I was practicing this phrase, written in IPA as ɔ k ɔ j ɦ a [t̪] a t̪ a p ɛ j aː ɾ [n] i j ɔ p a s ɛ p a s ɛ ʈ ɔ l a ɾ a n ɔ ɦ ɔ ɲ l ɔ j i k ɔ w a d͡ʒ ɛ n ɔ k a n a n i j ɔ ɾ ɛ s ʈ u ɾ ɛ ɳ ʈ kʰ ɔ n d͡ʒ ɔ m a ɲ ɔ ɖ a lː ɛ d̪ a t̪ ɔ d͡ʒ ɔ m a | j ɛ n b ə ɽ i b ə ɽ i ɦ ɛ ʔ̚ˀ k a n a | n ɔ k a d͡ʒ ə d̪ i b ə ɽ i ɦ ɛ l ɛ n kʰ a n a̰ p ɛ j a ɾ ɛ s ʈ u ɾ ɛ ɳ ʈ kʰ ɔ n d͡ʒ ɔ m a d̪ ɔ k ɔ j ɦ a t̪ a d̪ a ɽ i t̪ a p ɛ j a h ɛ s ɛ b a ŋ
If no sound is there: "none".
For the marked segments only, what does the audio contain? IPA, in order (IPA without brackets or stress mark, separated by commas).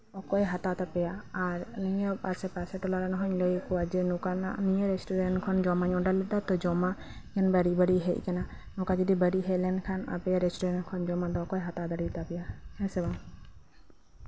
t̪, n